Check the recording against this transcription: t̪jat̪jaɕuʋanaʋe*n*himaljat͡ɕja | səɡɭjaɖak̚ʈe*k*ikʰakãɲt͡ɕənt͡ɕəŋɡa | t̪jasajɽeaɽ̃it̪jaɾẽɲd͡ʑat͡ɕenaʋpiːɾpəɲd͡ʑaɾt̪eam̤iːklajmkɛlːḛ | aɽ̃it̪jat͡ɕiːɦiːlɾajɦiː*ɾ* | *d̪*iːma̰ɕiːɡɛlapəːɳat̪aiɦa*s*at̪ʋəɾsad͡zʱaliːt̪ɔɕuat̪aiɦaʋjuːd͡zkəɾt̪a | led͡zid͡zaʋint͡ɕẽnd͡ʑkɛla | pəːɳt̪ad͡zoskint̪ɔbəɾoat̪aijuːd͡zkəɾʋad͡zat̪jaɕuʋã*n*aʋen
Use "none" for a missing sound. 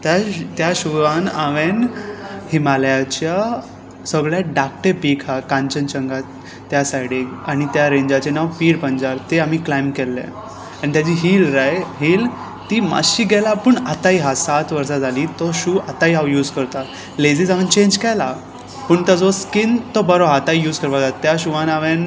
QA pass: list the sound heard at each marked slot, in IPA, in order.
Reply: n, p, l, t̪, s, n

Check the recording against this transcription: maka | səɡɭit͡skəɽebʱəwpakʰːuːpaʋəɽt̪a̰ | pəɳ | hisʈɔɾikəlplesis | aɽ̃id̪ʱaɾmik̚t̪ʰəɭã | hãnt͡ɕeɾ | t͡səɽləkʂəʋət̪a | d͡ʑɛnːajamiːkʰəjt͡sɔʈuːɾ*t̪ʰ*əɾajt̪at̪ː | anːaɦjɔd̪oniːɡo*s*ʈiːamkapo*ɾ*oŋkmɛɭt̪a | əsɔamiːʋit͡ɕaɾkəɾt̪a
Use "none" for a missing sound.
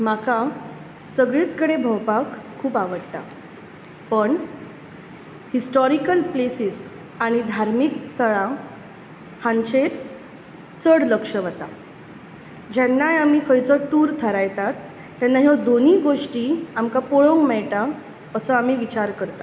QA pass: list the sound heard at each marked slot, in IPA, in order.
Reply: t̪ʰ, ʂ, ɭ

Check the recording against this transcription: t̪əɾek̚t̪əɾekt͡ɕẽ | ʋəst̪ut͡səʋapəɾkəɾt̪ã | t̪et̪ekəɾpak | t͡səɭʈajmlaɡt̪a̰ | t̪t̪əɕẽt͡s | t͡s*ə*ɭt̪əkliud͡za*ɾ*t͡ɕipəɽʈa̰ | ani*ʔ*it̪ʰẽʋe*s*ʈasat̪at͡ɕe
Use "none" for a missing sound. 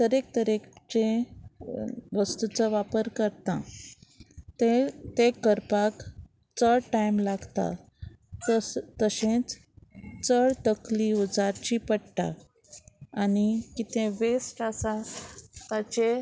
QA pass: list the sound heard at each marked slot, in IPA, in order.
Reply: ə, ɾ, k, s

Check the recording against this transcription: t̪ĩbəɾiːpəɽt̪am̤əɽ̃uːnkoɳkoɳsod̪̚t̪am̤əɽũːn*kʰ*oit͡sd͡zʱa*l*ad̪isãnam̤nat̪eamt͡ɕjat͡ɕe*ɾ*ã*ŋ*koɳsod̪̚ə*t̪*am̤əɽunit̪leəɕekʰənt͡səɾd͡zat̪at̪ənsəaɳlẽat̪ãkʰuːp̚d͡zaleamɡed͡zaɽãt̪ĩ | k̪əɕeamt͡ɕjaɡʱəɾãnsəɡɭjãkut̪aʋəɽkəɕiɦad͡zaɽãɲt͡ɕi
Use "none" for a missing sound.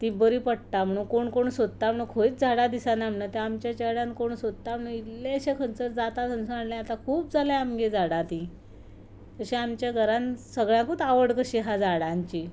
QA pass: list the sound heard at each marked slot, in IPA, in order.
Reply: kʰ, ɽ, ɽ, n, t̪

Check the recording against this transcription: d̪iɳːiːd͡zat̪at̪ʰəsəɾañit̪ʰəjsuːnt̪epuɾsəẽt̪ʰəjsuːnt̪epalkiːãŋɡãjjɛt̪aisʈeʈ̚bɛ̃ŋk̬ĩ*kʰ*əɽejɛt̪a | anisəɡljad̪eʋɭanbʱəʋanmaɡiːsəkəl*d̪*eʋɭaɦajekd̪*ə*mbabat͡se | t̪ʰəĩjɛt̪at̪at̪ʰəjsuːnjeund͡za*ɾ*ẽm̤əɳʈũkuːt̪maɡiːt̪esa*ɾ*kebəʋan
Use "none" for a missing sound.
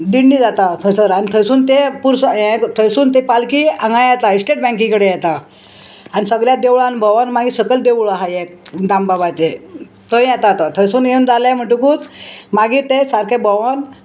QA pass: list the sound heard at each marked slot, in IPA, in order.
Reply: k, d̪, a, l, ɾ

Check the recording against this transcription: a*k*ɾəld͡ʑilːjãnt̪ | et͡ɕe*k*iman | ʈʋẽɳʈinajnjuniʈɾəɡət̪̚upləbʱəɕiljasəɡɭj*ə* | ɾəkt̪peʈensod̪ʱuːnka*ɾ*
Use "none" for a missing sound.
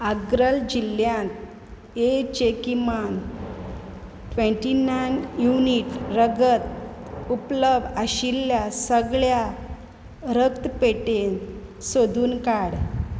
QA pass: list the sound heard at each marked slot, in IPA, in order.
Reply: ɡ, k, a, ɽ

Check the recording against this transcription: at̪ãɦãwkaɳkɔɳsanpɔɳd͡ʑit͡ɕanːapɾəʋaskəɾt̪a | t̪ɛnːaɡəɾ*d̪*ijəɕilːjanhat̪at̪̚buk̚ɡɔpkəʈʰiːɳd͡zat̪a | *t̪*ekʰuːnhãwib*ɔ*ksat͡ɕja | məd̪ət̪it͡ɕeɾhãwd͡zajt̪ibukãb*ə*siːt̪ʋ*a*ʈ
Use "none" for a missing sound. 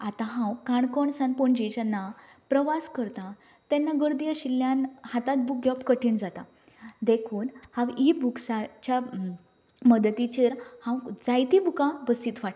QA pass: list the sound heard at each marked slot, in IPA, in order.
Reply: d̪, d̪, u, ə, a

